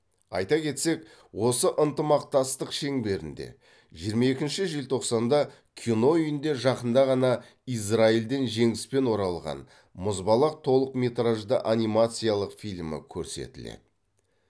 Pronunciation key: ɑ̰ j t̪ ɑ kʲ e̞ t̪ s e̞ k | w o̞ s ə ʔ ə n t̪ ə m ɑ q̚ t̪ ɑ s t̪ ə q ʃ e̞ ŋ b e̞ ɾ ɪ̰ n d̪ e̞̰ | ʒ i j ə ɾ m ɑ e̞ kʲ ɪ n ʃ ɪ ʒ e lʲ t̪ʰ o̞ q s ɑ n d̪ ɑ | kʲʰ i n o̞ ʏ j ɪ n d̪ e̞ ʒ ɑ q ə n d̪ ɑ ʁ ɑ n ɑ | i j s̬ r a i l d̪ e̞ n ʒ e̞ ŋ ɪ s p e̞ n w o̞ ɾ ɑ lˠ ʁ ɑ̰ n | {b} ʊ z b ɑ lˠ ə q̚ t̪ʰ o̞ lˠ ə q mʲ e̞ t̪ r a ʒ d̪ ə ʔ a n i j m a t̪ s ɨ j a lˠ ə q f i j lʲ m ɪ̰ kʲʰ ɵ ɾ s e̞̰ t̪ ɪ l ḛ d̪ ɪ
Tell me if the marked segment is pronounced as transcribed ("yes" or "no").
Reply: no